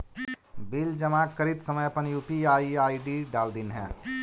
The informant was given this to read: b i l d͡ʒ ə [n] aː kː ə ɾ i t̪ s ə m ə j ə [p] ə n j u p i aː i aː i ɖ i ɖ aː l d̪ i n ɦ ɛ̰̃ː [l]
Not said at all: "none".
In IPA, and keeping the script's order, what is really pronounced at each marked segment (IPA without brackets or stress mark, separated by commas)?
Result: m, p, none